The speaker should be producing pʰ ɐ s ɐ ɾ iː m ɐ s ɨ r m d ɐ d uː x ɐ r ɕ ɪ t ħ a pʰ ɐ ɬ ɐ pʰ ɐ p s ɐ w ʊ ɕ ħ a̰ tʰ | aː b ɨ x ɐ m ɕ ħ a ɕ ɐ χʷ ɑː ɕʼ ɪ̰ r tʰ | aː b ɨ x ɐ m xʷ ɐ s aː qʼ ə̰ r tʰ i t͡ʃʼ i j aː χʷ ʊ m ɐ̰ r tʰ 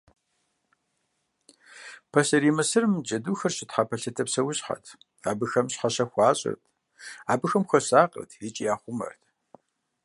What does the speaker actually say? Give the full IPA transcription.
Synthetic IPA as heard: pʰ ɐ s ɐ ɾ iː m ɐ s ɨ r m d͡ʒ ɐ d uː x ɐ r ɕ ɪ t ħ a pʰ ɐ ɬ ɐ tʰ ɐ p s ɐ w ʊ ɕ ħ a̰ tʰ | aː b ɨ x ɐ m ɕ ħ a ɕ ɐ xʷ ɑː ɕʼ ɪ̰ r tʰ | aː b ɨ x ɐ m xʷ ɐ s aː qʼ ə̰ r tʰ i t͡ʃʼ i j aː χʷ ʊ m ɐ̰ r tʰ

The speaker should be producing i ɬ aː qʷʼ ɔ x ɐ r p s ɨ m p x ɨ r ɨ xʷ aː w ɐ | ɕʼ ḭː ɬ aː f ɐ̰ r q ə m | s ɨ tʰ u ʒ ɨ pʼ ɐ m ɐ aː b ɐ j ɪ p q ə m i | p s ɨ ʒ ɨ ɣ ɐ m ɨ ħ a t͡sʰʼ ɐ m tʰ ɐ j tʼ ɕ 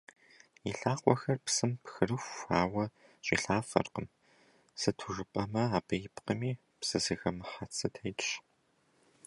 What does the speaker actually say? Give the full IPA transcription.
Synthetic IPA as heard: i ɬ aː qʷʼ ɔ x ɐ r p s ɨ m p x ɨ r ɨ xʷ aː w ɐ | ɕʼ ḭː ɬ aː f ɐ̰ r q ə m | s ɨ tʰ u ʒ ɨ pʼ ɐ m ɐ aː b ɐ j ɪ p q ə m iː | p s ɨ z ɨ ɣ ɐ m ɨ ħ a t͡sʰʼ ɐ tʰ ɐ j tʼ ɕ

